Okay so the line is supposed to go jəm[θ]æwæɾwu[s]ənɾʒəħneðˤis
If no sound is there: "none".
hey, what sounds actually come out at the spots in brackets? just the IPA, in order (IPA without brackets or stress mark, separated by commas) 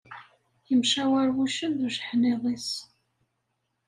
ʃ, ʃ